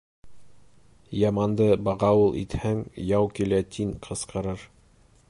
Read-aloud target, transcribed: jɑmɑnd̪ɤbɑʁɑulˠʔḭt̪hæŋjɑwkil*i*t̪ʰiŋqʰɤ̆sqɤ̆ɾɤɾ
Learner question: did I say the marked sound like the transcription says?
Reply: no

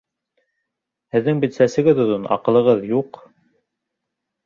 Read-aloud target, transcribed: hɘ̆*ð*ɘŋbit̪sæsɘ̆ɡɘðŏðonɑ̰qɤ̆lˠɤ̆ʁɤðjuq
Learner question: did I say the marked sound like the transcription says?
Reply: no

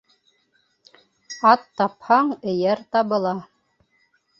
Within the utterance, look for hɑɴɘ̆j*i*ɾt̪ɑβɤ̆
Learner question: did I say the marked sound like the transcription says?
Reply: no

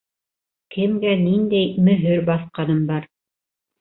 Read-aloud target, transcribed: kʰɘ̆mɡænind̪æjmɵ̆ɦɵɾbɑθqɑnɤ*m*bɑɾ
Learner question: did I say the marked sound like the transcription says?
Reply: yes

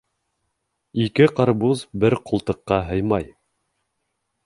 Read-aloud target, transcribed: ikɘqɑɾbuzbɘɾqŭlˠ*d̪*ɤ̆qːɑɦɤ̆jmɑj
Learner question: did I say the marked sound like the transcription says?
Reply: no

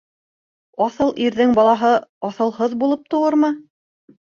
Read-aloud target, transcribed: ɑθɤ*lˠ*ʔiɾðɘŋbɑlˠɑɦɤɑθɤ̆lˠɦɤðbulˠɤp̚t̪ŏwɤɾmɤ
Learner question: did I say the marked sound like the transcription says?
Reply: yes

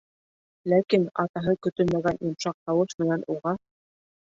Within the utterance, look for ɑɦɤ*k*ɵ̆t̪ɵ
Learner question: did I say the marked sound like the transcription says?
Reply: yes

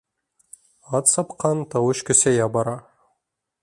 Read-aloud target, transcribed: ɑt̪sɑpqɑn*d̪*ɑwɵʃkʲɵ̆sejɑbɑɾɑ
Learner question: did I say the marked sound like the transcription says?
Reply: no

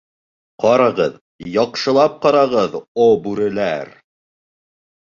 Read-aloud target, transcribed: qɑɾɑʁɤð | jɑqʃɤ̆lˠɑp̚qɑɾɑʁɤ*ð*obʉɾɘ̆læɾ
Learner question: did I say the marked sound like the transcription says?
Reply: yes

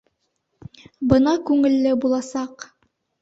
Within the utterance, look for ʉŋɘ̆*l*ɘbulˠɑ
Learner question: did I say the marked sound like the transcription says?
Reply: no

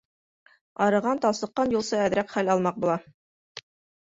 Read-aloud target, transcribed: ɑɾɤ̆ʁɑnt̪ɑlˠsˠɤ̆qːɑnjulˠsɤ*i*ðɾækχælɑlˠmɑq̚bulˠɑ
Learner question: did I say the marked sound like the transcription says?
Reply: no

